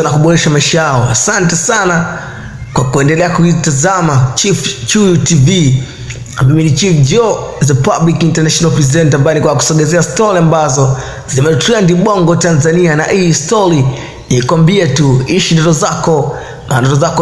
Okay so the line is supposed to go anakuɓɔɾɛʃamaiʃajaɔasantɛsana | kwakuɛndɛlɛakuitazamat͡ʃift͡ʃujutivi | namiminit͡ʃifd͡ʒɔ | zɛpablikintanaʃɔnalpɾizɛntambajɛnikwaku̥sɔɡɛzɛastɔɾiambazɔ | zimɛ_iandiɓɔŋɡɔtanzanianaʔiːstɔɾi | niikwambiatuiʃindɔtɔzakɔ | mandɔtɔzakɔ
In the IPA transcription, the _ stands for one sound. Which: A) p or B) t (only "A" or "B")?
B